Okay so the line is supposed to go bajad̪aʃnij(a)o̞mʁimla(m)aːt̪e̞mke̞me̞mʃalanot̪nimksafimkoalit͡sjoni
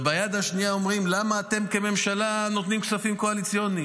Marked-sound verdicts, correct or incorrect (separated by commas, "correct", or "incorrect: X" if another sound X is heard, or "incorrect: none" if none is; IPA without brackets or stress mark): correct, correct